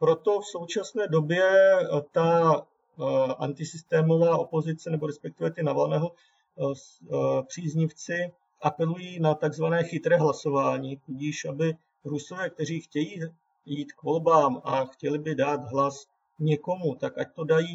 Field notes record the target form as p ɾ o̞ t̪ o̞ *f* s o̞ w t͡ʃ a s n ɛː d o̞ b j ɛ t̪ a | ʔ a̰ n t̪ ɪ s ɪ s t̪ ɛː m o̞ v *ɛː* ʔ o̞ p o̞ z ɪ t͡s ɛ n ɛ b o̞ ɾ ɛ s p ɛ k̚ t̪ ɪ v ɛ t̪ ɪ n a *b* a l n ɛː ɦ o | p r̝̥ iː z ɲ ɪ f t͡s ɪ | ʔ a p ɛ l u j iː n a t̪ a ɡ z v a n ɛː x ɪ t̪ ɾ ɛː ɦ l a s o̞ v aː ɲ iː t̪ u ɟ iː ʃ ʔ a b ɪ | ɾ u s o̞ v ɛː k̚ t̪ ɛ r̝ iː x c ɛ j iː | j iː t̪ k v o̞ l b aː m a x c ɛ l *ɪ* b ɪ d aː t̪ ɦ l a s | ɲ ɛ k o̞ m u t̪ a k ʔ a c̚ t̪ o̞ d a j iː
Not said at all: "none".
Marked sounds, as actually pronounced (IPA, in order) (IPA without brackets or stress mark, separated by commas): f, aː, v, ɪ